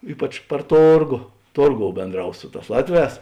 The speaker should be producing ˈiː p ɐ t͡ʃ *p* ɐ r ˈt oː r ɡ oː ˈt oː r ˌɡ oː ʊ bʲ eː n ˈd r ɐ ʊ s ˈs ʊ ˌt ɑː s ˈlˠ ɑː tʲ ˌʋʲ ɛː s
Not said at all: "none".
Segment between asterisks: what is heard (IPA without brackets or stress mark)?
p